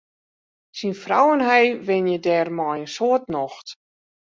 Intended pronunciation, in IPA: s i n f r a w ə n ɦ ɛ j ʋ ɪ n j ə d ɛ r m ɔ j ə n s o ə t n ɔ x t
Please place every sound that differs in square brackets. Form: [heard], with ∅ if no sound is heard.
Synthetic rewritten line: s i n f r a w ə n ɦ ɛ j ʋ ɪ n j ə d ɛ r m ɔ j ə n s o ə t n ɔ x t